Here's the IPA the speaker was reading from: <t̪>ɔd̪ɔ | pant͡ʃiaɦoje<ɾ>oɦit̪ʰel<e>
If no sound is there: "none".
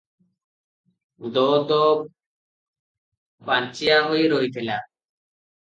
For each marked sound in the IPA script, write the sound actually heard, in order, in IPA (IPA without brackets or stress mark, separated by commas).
d̪, ɾ, a